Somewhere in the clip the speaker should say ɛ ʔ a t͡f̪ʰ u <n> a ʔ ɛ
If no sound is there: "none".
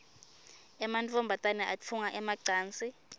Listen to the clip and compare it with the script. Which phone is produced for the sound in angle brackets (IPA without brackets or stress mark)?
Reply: ŋ